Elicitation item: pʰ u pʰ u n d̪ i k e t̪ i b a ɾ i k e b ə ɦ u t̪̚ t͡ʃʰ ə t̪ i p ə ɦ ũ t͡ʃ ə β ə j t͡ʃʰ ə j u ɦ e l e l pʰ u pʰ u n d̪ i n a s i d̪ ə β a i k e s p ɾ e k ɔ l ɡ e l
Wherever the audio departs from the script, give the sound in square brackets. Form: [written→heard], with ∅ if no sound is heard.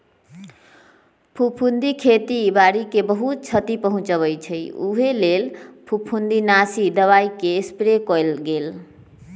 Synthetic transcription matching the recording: pʰ u pʰ u n d̪ i [k→kʰ] e t̪ i b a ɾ i k e b ə ɦ u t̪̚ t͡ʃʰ ə t̪ i p ə ɦ ũ t͡ʃ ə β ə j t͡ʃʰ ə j u ɦ e l e l pʰ u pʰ u n d̪ i n a s i d̪ ə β a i k e s p ɾ e k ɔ l ɡ e l